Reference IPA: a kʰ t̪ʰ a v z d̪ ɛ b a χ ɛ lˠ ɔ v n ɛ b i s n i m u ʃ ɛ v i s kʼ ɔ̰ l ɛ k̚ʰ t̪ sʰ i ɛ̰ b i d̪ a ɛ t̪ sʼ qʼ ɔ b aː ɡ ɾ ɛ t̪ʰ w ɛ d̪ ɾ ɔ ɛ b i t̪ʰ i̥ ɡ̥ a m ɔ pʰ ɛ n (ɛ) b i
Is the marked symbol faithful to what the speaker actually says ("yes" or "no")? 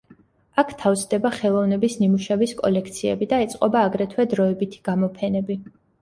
yes